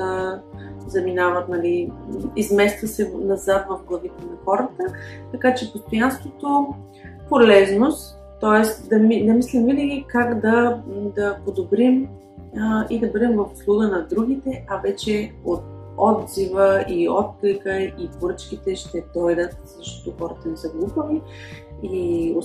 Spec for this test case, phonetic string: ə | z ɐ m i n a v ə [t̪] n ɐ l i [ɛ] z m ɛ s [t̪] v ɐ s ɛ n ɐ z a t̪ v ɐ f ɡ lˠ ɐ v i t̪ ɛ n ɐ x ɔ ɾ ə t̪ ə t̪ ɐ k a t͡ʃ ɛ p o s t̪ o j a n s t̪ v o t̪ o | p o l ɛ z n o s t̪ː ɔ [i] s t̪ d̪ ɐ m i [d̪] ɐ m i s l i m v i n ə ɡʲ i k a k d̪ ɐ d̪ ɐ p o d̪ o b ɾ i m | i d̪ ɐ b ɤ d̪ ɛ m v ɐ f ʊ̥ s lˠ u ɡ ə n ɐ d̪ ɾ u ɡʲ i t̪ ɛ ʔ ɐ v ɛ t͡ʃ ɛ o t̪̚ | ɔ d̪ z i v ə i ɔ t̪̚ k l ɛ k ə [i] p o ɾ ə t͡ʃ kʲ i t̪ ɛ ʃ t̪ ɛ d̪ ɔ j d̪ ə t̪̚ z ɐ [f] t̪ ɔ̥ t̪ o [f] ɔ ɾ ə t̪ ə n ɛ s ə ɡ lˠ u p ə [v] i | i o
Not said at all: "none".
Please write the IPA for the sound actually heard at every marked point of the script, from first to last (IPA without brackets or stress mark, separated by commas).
t̪, i, t̪, ɛ, d̪, i, ʃ, x, v